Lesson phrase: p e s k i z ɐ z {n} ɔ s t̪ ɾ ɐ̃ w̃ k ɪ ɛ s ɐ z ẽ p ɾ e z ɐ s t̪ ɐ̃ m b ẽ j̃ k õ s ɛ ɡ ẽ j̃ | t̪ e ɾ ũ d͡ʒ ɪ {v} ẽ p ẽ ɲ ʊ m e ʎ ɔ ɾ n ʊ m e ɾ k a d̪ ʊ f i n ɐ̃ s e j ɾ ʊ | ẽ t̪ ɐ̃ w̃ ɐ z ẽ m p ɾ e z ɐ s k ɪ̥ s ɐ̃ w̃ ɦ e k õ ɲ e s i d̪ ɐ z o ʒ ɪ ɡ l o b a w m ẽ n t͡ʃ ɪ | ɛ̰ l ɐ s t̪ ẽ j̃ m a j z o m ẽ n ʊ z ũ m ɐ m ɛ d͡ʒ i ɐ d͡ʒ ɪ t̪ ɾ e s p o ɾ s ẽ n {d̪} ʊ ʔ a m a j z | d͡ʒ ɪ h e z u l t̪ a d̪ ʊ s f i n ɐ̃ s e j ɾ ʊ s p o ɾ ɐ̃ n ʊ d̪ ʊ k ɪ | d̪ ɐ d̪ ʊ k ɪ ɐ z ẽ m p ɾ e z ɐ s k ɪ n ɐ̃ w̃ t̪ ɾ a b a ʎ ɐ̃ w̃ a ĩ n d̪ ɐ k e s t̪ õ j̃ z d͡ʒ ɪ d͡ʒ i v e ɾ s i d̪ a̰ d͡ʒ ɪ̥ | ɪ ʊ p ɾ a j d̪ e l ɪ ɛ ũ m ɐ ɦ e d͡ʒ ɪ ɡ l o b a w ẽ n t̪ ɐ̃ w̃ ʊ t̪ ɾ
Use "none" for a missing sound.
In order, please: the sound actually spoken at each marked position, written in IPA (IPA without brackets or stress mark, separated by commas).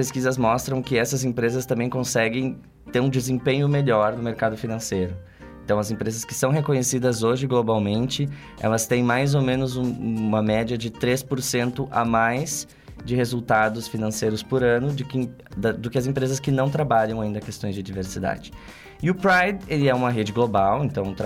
m, z, t̪